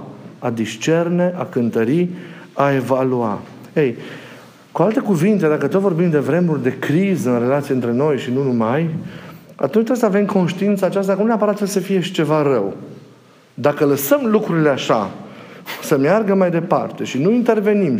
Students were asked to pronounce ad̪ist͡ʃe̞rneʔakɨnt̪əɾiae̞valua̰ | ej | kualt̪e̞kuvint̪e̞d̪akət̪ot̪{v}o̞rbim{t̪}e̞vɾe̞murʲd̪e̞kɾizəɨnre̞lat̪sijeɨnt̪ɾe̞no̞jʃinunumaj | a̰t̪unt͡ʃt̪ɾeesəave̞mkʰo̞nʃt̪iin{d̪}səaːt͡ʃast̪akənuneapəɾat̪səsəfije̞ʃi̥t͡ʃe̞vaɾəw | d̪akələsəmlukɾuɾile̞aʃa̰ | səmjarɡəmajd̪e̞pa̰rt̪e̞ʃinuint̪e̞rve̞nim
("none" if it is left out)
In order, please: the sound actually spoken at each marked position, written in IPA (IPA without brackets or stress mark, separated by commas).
v, d̪, t̪